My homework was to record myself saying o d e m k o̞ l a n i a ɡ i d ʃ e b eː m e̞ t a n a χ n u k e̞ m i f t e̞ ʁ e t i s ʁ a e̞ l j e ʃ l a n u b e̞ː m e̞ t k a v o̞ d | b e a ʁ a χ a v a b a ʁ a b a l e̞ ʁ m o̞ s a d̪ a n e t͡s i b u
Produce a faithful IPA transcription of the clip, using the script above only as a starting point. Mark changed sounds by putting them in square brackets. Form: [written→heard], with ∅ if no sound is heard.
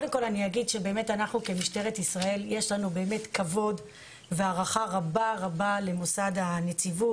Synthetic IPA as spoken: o d e m k o̞ l a n i a ɡ i d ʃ e b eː m e̞ t a n a χ n u k e̞ m i [f→ʃ] t e̞ ʁ e t i s ʁ a e̞ l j e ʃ l a n u b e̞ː m e̞ t k a v o̞ d | [b→v] e a ʁ a χ a [v→ʁ] a b a ʁ a b a l e̞ [ʁ→∅] m o̞ s a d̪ a n e t͡s i [b→v] u